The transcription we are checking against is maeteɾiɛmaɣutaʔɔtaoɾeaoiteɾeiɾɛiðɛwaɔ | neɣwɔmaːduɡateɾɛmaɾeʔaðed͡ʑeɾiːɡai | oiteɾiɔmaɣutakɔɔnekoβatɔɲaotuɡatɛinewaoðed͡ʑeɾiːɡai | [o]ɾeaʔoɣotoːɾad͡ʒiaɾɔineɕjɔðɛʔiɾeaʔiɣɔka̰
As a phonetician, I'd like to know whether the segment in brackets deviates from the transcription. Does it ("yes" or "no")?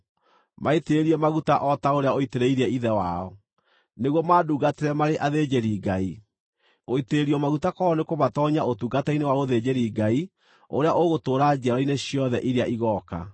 no